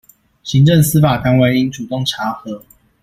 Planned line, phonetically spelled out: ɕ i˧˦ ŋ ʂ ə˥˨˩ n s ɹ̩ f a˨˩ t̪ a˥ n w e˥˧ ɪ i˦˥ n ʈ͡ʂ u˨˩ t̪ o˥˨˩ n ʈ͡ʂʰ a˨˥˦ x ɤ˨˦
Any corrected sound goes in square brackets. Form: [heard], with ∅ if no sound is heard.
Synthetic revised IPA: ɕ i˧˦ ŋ [ʈ͡ʂ] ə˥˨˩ [ŋ] s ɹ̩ f a˨˩ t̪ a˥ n w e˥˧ ɪ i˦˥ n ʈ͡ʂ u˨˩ t̪ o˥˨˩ [ŋ] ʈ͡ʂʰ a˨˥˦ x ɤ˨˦